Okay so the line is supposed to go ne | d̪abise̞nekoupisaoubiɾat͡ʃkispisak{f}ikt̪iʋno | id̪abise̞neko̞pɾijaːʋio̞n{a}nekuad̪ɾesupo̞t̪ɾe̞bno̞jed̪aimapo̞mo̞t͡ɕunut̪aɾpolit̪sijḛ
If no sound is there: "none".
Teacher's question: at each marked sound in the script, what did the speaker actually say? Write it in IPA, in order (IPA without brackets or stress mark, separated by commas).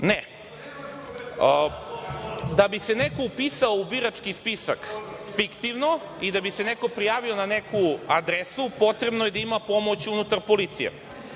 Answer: f, a